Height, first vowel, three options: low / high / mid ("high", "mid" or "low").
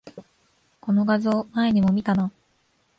mid